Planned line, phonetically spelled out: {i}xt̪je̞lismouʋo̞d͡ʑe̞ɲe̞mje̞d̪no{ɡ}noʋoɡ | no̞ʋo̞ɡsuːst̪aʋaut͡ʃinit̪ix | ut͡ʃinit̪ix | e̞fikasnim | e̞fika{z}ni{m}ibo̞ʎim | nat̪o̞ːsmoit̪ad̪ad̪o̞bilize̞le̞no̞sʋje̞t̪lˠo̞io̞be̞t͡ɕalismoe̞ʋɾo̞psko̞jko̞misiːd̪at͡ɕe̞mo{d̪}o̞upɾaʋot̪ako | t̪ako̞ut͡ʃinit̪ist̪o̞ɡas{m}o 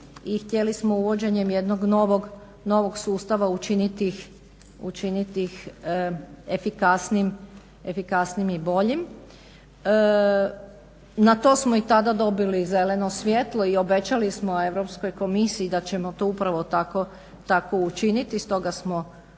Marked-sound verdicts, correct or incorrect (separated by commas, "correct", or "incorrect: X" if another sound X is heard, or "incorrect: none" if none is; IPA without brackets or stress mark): correct, correct, incorrect: s, correct, incorrect: t̪, correct